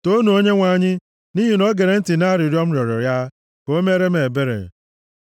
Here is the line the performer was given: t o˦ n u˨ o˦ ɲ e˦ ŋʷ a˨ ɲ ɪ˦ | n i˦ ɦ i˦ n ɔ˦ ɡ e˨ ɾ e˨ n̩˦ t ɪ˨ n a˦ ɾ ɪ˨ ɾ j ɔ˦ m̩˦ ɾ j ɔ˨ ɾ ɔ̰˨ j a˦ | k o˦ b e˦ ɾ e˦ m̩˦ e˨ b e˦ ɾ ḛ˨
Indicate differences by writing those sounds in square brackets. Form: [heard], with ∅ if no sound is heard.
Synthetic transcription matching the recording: t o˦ n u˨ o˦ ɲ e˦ ŋʷ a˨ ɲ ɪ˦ | n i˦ ɦ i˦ n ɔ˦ ɡ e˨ ɾ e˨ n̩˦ t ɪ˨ n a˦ ɾ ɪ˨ ɾ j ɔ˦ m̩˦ ɾ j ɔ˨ ɾ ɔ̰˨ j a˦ | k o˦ [m] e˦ ɾ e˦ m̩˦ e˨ b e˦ ɾ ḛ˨